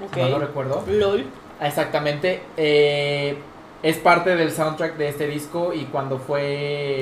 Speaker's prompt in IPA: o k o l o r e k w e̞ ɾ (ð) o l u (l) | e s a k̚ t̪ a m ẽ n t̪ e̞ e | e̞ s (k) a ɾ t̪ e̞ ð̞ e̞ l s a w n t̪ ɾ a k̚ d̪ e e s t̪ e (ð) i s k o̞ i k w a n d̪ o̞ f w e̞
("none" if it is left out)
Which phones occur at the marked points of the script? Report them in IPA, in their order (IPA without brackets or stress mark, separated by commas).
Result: ð, l, p, ð